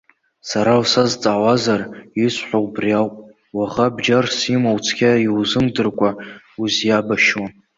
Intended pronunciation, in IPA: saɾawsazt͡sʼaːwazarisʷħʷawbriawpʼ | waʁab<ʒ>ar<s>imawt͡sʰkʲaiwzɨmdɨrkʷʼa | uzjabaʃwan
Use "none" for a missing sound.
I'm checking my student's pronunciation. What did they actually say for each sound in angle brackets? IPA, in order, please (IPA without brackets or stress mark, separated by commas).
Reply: d͡ʒ, s